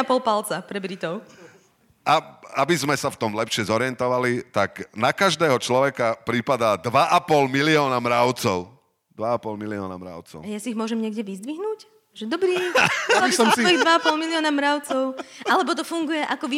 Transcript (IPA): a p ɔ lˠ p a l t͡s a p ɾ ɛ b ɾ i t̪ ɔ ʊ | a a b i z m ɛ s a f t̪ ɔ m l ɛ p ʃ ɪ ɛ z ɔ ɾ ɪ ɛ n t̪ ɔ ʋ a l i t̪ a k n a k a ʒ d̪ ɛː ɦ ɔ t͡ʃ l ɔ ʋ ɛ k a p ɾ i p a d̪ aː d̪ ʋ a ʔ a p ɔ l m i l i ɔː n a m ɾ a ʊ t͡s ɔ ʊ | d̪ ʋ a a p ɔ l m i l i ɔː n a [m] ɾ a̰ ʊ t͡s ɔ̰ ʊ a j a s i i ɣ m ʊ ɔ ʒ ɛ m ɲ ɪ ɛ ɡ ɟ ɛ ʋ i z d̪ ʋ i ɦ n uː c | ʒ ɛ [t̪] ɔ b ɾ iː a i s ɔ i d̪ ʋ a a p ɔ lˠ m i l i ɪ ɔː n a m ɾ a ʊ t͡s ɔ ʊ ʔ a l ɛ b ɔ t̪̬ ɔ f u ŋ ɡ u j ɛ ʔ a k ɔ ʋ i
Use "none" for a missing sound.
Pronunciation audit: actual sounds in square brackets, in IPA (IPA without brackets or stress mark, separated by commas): m, d̪